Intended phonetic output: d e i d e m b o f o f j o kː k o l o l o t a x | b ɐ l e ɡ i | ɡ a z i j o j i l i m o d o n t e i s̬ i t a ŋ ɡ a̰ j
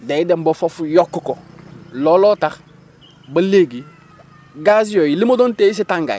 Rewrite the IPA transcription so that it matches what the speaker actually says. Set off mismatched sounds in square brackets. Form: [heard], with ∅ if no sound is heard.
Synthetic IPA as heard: d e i d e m b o f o f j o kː k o l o l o t a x | b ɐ l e ɡ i | ɡ a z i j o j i l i m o d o n t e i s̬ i t a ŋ ɡ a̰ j

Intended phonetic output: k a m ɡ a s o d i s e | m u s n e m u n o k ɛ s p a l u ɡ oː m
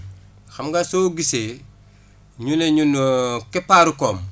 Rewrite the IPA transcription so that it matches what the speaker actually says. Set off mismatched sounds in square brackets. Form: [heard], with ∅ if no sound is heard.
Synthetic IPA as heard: [x] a m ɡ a s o [ɡ] i s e | [ɲ] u [∅] n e [ɲ] u n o k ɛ [∅] p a [ɾ] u [k] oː m

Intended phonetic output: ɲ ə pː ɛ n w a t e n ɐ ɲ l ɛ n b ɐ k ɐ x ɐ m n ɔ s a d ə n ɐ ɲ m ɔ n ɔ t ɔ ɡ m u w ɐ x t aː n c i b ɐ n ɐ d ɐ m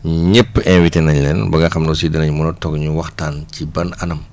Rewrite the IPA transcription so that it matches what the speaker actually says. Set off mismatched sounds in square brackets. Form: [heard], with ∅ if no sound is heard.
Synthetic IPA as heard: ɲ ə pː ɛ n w [i] t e n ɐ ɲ l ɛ n b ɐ [ɡ] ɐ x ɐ m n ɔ s [i] d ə n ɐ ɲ m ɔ n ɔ t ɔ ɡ [ɲ] u w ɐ x t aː n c i b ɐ n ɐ [n] ɐ m

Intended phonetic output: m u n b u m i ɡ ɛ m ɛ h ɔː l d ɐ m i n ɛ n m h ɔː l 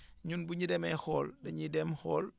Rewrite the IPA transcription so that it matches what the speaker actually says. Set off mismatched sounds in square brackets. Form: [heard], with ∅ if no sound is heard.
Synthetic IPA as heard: [ɲ] u n b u [ɲ] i [d] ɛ m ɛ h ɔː l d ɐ [ɲ] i [d] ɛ [∅] m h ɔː l

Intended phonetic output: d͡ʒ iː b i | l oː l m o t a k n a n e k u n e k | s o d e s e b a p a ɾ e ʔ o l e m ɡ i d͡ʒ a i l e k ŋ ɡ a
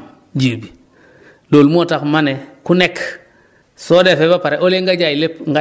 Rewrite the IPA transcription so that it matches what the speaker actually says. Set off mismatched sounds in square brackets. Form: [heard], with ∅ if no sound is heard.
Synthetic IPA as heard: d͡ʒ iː b i | l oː l m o t a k [m] a n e k u n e k | s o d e [f] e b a p a ɾ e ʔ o l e [ŋ] ɡ [a] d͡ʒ a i l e [p] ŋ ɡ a

